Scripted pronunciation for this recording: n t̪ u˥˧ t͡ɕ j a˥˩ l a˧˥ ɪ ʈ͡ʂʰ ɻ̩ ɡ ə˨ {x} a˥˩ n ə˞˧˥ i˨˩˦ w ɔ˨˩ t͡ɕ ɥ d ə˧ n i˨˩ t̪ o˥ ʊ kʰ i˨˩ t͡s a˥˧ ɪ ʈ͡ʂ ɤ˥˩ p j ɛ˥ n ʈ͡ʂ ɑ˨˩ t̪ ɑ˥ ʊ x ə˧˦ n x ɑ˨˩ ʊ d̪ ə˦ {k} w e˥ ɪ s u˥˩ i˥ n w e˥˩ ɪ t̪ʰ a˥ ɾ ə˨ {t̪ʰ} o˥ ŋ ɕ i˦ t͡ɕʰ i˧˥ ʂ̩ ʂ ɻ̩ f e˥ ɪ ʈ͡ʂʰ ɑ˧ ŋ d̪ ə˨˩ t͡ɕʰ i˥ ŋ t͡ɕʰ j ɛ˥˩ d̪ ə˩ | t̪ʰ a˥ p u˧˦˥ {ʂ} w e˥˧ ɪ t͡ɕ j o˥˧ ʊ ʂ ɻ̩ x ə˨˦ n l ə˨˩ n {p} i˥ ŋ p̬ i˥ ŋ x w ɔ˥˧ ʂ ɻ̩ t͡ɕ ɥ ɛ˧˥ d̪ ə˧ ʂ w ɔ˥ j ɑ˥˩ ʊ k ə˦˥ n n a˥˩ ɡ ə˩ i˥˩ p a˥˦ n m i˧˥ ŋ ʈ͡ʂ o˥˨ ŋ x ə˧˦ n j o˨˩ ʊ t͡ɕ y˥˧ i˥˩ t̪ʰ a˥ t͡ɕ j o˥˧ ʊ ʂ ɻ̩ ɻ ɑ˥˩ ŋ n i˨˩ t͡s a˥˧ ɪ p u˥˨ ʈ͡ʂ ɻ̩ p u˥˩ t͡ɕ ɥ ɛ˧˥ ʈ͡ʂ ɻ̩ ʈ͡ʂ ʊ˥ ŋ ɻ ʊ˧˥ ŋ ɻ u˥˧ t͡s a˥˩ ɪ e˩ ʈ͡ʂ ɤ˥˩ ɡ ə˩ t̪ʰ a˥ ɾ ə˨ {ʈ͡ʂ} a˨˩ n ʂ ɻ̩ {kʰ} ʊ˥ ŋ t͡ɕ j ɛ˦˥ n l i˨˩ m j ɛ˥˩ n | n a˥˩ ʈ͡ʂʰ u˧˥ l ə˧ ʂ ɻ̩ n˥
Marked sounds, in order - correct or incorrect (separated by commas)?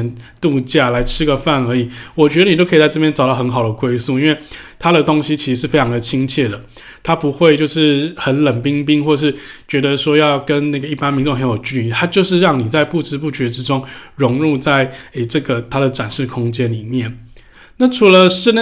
incorrect, correct, incorrect, incorrect, correct, correct, correct